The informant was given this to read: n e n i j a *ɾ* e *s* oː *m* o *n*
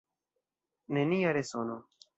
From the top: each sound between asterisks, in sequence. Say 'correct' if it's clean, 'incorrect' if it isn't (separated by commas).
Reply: correct, correct, incorrect, incorrect